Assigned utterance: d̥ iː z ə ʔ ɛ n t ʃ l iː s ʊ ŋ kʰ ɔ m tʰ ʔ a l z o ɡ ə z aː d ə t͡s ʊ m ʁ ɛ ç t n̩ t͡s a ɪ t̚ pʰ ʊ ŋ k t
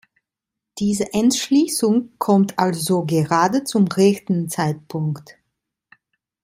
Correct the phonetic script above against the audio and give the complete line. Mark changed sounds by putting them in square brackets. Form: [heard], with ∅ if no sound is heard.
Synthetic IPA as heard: d̥ iː z ə ʔ ɛ n t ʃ l iː s ʊ ŋ kʰ ɔ m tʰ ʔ a l z o ɡ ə [ʁ] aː d ə t͡s ʊ m ʁ ɛ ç t n̩ t͡s a ɪ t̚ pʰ ʊ ŋ k t